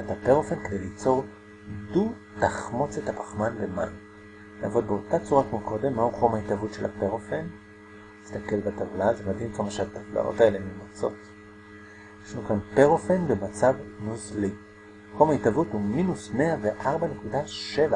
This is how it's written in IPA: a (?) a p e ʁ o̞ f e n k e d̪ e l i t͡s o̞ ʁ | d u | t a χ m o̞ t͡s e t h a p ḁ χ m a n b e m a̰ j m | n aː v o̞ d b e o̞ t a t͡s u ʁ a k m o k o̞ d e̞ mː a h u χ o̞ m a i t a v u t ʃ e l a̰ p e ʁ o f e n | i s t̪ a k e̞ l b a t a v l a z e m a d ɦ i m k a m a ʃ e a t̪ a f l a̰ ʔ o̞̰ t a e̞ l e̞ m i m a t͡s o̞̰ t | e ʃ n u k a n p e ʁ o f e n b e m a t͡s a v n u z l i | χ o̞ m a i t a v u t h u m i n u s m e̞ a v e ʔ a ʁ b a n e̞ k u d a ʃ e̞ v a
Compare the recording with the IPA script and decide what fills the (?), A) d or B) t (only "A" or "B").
B